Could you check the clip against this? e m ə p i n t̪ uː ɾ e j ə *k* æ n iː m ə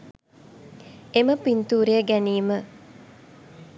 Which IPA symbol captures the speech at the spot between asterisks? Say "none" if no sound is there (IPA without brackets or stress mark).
ɡ